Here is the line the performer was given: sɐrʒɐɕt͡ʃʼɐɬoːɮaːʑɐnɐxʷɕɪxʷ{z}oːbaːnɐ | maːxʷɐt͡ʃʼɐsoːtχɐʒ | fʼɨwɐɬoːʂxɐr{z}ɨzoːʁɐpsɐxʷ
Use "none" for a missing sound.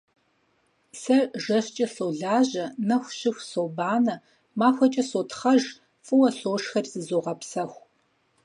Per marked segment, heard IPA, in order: s, z

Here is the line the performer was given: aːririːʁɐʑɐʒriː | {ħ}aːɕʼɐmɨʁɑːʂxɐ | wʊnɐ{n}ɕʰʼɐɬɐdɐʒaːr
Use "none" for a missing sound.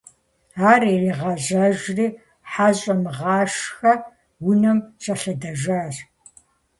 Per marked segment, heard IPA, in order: ħ, m

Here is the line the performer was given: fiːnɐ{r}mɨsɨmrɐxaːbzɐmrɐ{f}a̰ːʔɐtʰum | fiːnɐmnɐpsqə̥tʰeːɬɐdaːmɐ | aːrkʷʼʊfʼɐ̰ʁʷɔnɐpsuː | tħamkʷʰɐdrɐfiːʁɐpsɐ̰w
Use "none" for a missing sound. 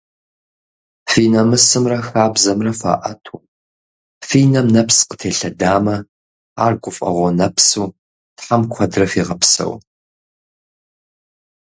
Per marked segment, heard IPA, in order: none, f

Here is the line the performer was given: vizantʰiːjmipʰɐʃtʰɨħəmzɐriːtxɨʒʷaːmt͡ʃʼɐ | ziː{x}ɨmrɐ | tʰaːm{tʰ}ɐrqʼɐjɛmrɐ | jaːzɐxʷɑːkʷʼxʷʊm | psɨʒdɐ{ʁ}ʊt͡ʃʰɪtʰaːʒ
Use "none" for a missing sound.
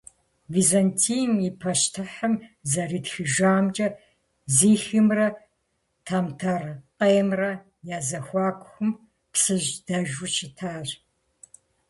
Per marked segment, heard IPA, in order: x, tʰ, ʒ

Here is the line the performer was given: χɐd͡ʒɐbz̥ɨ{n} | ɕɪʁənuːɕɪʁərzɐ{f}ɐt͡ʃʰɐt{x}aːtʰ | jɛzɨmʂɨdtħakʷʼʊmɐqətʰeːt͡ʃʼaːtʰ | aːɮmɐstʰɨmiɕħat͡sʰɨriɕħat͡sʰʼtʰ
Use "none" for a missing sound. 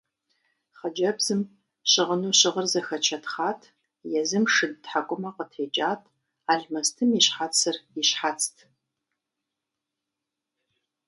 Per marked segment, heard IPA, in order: m, x, χ

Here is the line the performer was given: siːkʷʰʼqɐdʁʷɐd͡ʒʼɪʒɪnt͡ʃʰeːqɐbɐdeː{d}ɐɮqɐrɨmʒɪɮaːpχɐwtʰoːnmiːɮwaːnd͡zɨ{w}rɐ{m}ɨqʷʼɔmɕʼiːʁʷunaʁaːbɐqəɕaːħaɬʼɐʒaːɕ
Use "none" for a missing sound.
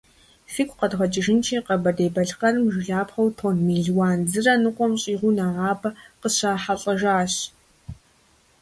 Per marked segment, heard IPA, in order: b, none, n

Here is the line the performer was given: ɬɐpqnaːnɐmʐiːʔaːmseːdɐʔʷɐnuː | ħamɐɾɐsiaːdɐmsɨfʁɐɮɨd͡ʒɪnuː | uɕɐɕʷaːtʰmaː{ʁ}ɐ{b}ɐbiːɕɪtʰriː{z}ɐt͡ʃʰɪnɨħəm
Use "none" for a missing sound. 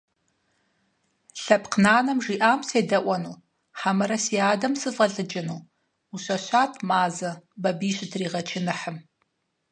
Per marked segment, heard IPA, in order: z, b, ʁ

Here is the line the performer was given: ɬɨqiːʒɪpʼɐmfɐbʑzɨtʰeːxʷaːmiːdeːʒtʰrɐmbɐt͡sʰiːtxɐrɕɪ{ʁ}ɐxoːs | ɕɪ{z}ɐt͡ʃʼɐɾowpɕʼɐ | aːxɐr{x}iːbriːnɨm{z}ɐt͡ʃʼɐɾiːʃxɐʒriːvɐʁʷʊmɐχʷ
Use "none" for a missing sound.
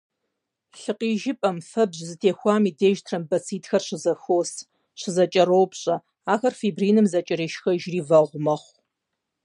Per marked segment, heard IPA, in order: z, z, f, z

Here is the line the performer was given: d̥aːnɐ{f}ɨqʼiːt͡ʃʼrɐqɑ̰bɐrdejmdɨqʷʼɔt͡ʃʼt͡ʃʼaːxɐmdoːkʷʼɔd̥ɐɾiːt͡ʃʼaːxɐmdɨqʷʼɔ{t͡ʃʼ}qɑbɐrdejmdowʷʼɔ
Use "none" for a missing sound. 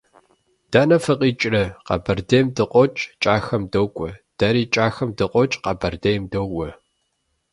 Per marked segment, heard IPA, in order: f, t͡ʃʼ

